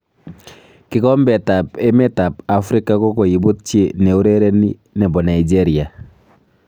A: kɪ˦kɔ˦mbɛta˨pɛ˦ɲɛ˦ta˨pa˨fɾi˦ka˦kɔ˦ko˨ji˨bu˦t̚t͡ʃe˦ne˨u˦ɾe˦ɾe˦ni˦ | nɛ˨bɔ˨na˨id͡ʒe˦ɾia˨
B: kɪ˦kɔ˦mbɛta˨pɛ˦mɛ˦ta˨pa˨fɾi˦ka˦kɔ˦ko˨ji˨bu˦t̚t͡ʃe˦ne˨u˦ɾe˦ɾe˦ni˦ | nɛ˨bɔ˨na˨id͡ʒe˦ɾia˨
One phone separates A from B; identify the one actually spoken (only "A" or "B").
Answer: B